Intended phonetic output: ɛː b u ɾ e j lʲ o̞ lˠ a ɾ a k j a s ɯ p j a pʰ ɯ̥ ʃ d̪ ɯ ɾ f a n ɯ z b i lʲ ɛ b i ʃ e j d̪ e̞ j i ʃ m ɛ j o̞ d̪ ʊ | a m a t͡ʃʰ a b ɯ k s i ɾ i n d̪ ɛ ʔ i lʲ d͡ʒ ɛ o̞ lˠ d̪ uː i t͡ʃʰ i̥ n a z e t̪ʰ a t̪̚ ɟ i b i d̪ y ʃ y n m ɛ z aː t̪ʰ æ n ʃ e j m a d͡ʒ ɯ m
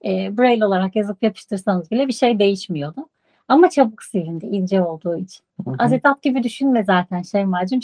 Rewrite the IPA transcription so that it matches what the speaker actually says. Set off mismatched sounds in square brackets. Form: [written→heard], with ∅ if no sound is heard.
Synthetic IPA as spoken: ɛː b u ɾ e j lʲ o̞ lˠ a ɾ a k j a [s→z] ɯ p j a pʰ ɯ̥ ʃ [d̪→t̪] ɯ ɾ [f→s] a n ɯ z b i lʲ ɛ b i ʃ e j d̪ e̞ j i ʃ m [ɛ→i] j o̞ d̪ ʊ | a m a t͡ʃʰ a b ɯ k s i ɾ i n d̪ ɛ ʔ i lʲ d͡ʒ ɛ o̞ lˠ d̪ uː i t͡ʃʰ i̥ n a z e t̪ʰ a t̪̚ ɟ i b i d̪ y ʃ y n m ɛ z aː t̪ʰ æ n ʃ e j m a d͡ʒ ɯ m